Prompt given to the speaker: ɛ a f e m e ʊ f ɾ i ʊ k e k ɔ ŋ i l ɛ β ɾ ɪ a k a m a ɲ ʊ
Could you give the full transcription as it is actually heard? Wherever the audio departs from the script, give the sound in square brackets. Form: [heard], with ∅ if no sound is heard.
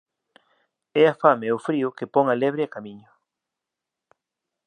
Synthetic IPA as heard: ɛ a f [a] m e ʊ f ɾ i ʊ k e [p] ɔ ŋ [a] l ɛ β ɾ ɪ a k a m [i] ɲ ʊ